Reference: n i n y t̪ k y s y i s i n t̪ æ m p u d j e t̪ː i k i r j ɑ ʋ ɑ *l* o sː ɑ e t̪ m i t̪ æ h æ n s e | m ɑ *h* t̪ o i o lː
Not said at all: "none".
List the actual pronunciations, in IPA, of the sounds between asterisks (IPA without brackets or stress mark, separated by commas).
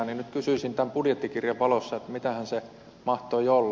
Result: l, h